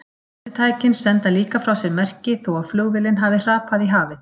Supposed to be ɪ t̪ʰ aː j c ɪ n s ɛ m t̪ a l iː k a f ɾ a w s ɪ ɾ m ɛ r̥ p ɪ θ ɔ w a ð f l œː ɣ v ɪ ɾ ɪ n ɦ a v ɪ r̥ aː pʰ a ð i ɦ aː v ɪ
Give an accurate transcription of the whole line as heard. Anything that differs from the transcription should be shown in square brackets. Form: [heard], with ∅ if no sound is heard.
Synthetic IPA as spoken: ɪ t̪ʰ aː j c ɪ n s ɛ [n] t̪ a l iː k a f ɾ a w s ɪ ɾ m ɛ r̥ [c] ɪ θ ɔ w a ð f l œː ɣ v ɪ [l] ɪ n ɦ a v ɪ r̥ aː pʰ a ð i ɦ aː v ɪ